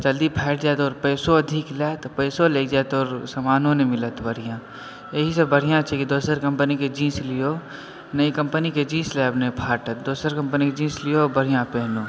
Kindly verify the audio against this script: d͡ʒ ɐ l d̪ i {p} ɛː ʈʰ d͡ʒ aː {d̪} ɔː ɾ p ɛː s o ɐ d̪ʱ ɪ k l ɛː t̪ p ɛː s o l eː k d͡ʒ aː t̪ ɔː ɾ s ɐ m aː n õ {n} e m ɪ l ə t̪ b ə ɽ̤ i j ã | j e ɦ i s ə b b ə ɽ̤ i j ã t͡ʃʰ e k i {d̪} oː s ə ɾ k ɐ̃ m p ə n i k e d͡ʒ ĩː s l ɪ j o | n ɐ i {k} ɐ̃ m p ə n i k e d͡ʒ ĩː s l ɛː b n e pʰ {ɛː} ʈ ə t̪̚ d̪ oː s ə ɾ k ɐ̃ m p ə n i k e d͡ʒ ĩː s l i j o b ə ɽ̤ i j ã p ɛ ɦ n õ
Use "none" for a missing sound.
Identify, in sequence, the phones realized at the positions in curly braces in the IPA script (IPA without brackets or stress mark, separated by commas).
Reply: pʰ, t̪, n, d̪, k, aː